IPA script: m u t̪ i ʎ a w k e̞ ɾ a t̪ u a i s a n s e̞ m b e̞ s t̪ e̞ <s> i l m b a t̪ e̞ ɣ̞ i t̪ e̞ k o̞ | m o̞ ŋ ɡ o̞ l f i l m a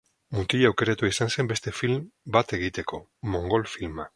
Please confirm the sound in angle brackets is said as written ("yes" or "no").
no